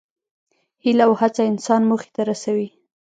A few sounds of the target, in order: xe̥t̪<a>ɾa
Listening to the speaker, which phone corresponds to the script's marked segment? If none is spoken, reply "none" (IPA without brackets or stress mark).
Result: a